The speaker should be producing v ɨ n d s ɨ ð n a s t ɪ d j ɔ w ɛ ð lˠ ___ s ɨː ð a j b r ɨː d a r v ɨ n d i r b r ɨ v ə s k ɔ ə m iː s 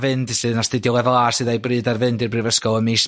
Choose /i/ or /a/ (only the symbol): a